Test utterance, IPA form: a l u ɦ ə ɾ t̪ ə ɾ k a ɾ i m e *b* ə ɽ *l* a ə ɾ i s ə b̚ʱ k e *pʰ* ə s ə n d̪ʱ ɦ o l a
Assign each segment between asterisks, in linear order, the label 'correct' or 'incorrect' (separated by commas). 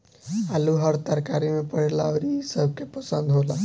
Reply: incorrect, correct, incorrect